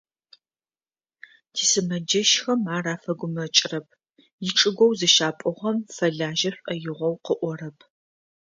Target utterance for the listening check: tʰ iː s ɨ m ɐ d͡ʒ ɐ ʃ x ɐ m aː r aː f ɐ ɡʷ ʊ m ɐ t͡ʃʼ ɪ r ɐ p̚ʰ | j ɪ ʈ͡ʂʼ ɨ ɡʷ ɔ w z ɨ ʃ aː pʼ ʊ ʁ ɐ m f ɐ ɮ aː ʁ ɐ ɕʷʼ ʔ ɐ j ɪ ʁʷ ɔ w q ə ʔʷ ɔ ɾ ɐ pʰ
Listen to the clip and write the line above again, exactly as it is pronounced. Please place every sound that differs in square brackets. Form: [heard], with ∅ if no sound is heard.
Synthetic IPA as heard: tʰ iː s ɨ m ɐ d͡ʒ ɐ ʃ x ɐ m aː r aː f ɐ ɡʷ ʊ m ɐ t͡ʃʼ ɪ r ɐ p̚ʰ | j ɪ ʈ͡ʂʼ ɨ ɡʷ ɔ w z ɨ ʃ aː pʼ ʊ ʁ ɐ m f ɐ ɮ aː [ʒ] ɐ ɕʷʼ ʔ ɐ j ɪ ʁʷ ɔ w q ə ʔʷ ɔ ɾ ɐ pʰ